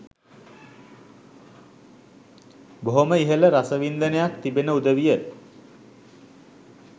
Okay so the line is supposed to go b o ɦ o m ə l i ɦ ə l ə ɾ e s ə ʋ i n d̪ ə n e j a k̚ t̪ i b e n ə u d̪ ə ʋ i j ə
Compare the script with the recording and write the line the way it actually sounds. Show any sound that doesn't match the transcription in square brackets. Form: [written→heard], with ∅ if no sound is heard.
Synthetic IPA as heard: b o ɦ o m ə [l→∅] i ɦ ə l ə ɾ [e→a] s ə ʋ i n d̪ ə n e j a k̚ t̪ i b e n ə u d̪ ə ʋ i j ə